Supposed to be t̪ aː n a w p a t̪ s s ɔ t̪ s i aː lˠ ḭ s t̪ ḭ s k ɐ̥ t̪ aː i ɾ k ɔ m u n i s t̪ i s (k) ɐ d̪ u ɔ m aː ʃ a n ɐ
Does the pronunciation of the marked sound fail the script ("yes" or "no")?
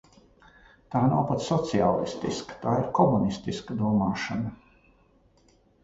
no